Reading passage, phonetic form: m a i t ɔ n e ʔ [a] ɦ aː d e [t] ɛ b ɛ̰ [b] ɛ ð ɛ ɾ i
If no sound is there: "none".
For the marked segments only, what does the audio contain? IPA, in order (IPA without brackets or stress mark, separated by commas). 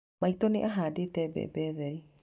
a, t, b